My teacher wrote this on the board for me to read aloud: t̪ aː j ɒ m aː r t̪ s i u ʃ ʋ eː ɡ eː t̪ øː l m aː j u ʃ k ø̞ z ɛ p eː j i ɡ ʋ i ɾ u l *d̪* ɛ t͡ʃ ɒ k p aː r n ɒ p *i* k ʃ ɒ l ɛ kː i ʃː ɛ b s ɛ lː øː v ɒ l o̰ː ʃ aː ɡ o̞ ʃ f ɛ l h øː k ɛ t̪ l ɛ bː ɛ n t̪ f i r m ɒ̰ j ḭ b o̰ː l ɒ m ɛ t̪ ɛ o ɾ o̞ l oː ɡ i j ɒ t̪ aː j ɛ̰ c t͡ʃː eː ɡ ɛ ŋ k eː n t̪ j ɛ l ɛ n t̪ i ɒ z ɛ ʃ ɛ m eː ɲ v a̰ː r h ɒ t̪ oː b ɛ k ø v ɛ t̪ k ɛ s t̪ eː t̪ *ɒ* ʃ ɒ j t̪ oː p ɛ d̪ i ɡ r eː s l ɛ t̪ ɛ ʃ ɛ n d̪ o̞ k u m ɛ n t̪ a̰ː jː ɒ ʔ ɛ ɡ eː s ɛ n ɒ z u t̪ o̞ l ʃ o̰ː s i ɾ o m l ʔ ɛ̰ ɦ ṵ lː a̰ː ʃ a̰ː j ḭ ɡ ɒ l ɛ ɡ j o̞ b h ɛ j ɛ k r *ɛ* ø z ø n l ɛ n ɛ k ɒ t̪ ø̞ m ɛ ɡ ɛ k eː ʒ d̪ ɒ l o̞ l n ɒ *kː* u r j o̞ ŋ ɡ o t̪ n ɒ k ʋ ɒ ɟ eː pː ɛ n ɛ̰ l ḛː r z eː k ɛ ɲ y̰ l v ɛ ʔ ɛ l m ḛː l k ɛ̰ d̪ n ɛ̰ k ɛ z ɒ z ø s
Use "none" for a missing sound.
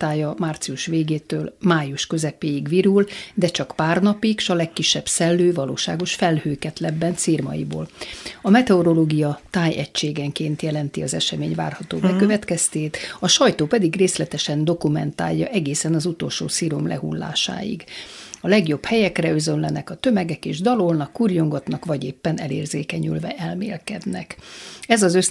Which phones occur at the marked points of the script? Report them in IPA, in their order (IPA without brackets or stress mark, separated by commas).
d̪, i, ɒ, ɛ, kː